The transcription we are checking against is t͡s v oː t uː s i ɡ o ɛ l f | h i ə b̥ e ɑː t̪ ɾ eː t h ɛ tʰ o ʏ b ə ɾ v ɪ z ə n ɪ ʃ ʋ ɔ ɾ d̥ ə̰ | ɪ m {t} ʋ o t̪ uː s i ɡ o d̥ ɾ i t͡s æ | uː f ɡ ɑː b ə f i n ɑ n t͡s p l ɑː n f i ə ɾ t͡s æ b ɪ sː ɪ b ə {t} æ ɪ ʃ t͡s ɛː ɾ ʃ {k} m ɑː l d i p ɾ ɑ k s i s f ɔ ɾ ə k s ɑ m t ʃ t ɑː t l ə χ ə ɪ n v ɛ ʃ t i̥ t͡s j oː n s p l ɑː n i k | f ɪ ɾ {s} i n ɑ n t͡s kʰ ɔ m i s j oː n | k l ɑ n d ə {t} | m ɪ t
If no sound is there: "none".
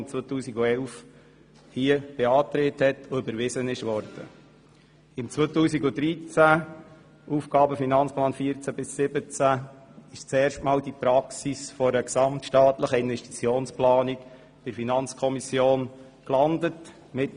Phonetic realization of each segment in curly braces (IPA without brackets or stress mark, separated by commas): t͡s, t͡s, t, f, t